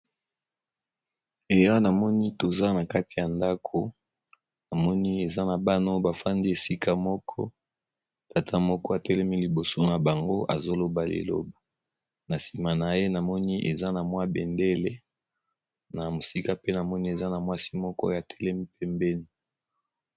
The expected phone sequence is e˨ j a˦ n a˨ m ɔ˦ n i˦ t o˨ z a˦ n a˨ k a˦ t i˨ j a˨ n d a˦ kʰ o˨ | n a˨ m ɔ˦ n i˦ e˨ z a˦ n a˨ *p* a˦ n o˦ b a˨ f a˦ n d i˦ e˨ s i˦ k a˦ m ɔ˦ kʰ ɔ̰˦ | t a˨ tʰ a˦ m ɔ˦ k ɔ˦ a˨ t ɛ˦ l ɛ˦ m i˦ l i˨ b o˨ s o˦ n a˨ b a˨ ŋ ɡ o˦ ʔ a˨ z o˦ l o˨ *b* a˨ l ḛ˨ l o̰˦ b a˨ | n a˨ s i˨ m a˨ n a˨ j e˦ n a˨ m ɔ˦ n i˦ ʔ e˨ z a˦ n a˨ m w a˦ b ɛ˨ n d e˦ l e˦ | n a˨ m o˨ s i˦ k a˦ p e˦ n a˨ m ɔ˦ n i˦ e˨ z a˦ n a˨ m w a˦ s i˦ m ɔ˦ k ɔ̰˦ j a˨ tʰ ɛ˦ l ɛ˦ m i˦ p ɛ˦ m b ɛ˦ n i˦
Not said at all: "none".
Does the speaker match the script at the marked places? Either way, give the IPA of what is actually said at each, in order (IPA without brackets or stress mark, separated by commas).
b, b